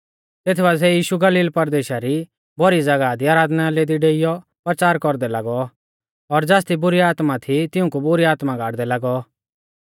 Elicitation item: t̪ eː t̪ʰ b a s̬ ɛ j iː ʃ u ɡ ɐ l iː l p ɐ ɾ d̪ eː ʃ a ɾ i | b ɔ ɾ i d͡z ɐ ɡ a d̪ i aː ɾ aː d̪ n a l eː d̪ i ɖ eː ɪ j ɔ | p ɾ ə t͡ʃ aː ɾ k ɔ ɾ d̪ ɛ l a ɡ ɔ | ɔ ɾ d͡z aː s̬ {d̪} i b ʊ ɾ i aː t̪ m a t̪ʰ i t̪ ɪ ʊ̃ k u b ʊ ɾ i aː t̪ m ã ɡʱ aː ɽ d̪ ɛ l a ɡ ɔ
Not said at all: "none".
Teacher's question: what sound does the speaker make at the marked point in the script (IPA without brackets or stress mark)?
t̪